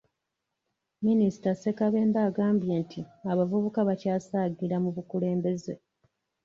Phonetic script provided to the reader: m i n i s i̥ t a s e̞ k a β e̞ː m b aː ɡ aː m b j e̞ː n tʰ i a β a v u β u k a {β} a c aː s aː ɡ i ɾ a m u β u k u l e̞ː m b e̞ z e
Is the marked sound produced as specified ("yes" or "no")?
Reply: yes